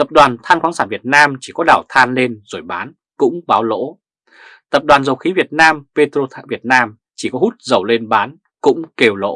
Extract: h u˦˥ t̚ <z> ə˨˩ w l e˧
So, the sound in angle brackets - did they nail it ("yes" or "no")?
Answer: yes